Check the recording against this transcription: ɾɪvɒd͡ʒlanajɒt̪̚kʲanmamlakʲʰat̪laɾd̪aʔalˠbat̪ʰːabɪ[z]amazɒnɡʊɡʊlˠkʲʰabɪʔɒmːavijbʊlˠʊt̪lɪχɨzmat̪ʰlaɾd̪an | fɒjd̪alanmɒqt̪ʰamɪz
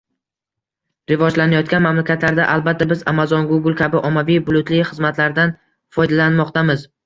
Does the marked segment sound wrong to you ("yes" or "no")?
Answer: no